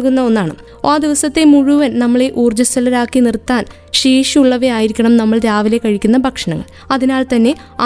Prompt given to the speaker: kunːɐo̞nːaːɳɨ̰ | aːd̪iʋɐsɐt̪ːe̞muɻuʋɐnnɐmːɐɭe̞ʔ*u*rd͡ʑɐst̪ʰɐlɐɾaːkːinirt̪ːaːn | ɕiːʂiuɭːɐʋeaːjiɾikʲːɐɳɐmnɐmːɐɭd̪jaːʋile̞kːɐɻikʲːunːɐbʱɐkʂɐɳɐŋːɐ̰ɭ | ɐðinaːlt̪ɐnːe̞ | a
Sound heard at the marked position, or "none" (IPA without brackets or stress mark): uː